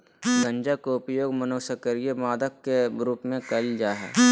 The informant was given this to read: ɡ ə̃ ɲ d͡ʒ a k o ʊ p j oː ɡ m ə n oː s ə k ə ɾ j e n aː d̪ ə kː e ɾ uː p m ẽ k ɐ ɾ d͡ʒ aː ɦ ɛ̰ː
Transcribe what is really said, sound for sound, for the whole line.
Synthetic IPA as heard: ɡ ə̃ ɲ d͡ʒ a k o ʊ p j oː ɡ m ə n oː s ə k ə ɾ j e m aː d̪ ə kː e ɾ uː p m ẽ k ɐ l d͡ʒ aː ɦ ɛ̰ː